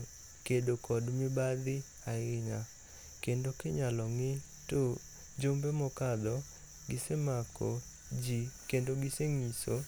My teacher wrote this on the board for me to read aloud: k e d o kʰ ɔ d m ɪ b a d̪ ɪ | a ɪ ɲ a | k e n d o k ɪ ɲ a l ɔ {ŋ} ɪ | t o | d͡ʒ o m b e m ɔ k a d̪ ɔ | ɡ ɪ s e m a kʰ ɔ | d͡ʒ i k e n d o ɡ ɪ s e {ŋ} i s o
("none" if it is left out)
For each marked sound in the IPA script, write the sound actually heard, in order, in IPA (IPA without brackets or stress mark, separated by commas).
ŋ, ŋ